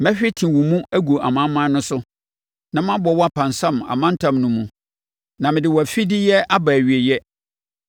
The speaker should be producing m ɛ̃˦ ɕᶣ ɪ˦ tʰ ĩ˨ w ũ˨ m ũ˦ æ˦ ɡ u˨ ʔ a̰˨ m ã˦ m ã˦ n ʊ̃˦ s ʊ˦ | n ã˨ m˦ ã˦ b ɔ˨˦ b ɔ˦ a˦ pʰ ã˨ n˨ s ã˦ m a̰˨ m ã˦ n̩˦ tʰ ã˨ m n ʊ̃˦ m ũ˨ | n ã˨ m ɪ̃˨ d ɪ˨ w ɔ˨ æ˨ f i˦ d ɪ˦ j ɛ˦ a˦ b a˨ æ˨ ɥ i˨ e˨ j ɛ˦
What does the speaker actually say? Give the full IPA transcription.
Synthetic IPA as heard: m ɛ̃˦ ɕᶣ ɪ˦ tʰ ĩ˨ w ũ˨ m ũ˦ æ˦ ɡ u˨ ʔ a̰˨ m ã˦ m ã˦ n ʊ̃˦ s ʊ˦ | n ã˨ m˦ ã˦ b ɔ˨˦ w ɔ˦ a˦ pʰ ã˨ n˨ s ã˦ m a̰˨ m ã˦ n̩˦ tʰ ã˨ m n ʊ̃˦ m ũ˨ | n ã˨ m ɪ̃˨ d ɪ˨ w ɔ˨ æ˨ f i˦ d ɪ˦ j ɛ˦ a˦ b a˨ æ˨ ɥ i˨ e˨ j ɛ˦